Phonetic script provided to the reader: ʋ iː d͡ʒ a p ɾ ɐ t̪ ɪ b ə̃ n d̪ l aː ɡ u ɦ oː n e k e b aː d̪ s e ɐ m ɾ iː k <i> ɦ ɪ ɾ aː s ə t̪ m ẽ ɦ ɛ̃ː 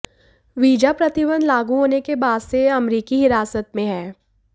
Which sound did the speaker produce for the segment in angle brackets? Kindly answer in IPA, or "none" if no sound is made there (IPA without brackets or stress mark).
i